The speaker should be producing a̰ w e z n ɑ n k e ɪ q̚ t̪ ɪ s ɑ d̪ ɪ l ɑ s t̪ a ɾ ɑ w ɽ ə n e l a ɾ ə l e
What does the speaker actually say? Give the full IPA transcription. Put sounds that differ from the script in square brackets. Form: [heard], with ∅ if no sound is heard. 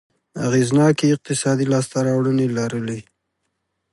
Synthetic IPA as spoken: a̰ [ɣ] e z n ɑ [∅] k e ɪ q̚ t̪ ɪ s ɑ d̪ [i] l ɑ s t̪ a ɾ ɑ w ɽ ə n e l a ɾ ə l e